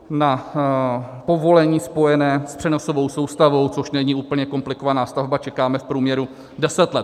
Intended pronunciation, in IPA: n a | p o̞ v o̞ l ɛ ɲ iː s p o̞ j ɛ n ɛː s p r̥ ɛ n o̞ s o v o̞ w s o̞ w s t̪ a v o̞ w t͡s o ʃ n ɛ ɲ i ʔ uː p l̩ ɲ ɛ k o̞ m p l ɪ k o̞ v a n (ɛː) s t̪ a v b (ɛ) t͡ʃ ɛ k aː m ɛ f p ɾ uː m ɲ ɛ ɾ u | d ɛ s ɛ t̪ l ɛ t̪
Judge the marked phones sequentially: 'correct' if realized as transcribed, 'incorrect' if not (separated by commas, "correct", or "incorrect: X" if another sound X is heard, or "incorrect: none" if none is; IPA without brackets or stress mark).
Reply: incorrect: aː, incorrect: a